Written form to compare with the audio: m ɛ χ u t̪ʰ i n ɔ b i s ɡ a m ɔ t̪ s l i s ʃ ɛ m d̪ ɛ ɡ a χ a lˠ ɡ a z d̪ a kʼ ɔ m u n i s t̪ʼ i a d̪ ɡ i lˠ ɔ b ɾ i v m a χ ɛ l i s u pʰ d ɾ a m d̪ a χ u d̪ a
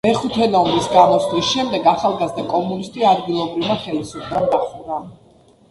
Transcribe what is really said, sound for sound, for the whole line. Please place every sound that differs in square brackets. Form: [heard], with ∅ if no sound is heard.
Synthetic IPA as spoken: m ɛ χ u t̪ʰ [ɛ] n ɔ [m] i s ɡ a m ɔ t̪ s l i s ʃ ɛ m d̪ ɛ ɡ a χ a lˠ ɡ a z d̪ a kʼ ɔ m u n i s t̪ʼ i a d̪ ɡ i lˠ ɔ b ɾ i v m a χ ɛ l i s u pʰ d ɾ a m d̪ a χ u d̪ a